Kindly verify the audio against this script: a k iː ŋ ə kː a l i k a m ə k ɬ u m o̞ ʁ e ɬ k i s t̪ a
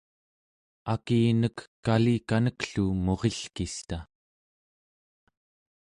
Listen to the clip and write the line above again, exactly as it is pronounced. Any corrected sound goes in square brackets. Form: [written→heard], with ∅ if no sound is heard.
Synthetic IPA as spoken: a k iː [ŋ→n] ə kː a l i k a [m→n] ə k ɬ u m o̞ ʁ e ɬ k i s t̪ a